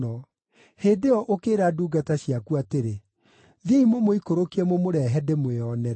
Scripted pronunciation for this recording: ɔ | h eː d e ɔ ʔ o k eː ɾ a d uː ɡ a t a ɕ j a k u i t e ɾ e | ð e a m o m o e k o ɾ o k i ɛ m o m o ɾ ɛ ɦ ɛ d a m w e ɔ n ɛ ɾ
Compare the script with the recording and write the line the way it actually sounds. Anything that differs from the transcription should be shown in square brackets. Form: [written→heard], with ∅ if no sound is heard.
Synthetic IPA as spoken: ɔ | h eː d e ɔ ʔ o k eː ɾ a d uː ɡ a t a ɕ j a k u [i→a] t e ɾ e | ð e [a→i] m o m o [e→i] k o ɾ o k i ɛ m o m o ɾ ɛ ɦ ɛ d [a→e] m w e ɔ n ɛ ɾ